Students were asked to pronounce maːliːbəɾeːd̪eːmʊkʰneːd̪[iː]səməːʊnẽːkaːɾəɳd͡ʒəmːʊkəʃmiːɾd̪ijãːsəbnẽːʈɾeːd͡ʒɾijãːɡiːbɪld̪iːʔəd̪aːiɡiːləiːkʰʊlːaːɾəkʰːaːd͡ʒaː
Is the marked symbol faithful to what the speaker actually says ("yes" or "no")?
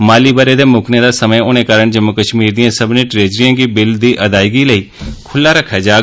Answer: no